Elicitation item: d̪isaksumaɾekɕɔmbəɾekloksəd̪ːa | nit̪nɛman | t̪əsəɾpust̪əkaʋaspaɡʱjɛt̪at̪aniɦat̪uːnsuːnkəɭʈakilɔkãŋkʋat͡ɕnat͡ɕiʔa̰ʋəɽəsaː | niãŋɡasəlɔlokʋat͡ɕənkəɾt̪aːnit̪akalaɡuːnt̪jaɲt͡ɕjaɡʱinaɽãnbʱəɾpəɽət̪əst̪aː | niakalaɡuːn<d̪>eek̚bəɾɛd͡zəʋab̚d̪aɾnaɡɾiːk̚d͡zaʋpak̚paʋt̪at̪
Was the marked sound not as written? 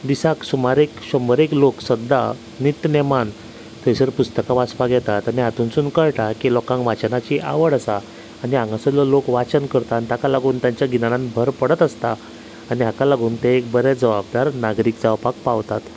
yes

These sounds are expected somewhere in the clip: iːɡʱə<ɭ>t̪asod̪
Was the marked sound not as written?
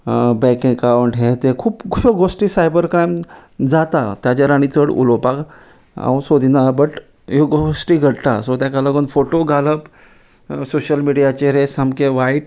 yes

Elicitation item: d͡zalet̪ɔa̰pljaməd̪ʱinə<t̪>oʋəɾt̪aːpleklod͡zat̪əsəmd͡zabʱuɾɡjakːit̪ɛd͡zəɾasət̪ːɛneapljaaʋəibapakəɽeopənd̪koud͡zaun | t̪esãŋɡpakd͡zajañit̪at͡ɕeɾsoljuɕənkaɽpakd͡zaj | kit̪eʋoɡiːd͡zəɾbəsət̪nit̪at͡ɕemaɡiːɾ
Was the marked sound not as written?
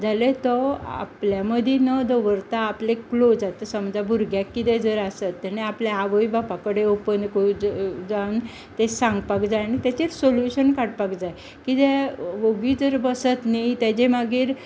yes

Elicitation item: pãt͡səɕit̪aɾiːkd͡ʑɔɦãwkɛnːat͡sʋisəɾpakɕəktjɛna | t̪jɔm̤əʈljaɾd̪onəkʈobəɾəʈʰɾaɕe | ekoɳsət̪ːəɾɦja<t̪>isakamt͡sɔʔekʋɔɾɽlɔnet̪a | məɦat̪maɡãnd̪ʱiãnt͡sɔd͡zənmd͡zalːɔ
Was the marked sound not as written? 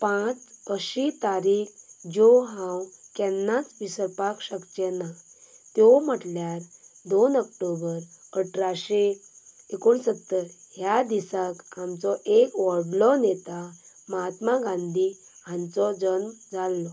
yes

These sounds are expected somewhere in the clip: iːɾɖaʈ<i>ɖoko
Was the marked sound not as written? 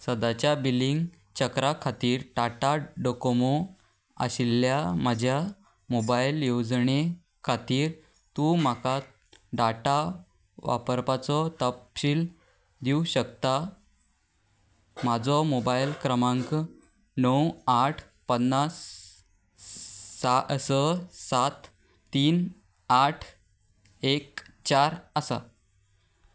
yes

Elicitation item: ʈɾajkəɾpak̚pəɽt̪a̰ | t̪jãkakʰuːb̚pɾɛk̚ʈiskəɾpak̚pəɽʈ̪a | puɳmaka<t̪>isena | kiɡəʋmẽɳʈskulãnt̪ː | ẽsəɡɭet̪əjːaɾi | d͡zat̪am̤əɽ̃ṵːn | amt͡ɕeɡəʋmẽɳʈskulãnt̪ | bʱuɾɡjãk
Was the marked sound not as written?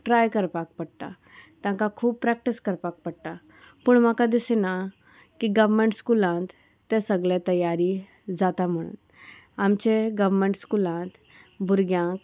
yes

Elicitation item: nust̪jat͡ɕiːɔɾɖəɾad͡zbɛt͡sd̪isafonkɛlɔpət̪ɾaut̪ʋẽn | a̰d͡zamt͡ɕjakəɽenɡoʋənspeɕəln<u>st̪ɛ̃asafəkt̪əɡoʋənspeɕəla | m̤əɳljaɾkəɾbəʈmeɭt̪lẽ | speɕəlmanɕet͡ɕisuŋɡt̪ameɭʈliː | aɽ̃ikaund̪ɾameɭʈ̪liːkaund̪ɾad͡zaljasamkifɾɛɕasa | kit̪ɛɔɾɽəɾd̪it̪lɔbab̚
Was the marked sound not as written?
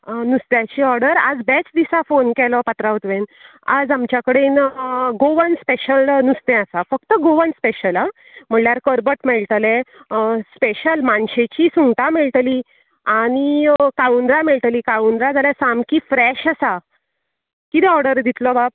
no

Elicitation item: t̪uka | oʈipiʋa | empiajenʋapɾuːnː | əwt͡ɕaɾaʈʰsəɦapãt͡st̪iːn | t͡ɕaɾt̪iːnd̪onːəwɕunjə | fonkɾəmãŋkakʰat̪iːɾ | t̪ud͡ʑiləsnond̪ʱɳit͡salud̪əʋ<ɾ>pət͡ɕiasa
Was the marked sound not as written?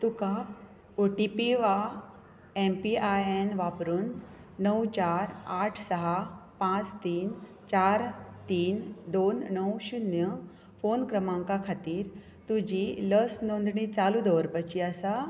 no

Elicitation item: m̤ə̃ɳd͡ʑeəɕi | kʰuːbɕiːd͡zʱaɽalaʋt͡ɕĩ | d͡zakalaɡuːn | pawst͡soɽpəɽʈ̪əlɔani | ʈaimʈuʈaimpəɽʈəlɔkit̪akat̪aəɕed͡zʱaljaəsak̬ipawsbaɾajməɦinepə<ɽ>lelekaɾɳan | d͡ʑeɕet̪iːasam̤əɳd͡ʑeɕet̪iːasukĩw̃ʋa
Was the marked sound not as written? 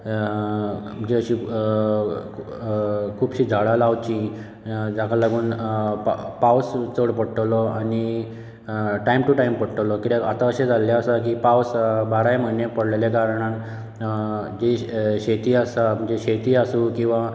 no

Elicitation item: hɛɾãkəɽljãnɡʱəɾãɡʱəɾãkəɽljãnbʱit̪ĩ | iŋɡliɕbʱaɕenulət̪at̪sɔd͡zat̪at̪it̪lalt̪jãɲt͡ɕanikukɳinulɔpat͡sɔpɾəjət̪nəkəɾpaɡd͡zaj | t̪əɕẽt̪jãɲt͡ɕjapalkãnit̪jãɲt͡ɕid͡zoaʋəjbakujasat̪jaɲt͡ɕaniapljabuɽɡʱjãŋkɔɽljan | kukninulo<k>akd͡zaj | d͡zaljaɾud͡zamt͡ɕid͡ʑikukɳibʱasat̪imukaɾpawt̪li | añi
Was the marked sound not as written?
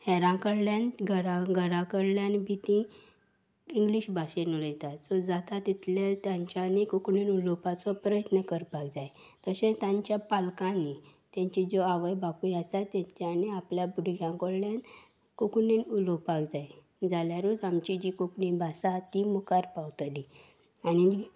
yes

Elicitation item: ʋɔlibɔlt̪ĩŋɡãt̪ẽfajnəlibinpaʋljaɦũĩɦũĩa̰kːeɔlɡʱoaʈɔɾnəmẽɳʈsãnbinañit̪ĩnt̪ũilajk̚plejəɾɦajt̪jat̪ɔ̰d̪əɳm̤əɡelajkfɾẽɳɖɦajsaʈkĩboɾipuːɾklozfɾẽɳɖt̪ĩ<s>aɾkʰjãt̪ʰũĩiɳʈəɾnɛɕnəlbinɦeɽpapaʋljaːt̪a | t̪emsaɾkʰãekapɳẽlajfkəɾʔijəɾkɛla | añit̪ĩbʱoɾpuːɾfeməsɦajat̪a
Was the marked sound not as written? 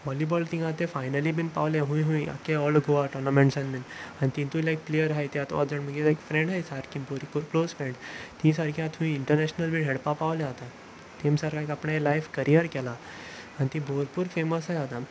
no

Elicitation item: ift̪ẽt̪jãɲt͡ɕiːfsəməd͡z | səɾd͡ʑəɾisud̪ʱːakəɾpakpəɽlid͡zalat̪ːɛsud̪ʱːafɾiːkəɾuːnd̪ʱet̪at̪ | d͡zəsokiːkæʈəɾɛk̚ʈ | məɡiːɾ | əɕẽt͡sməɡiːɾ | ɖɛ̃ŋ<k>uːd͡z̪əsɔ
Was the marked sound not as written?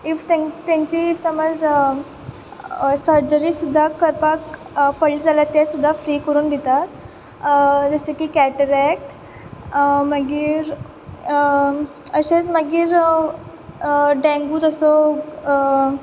yes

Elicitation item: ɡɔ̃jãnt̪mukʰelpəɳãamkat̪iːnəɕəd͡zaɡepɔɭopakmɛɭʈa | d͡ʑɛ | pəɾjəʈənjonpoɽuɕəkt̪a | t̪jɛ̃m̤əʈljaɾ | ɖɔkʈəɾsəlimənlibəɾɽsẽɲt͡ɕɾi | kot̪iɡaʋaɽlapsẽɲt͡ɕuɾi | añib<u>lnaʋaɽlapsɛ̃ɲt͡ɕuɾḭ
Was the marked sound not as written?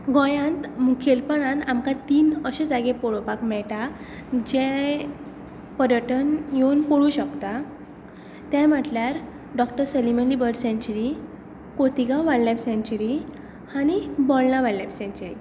yes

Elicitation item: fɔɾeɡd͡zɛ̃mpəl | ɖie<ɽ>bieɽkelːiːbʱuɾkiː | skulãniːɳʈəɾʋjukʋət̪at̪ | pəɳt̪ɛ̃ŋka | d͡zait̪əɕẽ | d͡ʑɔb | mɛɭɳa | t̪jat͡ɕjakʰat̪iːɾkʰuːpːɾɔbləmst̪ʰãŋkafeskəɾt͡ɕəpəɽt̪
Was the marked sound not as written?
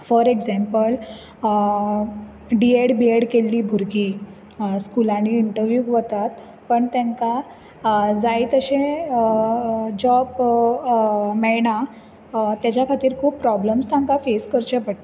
no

